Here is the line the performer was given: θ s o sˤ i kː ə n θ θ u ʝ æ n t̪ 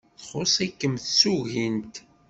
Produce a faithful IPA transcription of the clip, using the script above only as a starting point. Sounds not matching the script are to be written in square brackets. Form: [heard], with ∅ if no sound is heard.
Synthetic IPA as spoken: θ [χ] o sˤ [æ] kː ə [m] θ [s] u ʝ [i] n t̪